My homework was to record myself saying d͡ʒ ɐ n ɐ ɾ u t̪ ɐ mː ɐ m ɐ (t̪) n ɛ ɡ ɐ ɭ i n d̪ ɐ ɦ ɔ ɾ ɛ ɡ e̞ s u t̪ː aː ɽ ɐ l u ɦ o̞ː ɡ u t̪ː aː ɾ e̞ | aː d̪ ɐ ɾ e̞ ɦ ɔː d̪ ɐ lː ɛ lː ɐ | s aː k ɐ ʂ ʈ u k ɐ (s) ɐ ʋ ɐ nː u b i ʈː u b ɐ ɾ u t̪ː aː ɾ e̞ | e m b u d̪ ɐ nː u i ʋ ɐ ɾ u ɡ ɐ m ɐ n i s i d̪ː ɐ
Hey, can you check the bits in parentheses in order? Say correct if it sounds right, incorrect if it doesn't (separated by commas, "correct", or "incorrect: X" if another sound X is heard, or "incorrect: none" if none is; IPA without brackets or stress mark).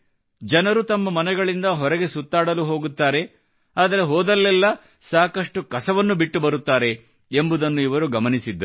incorrect: none, correct